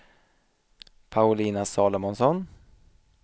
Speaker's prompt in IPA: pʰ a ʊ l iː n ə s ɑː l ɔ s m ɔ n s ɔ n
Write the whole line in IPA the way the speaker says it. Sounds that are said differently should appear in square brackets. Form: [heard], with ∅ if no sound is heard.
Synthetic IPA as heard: pʰ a ʊ l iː n [a] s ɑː l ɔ [∅] m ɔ n s ɔ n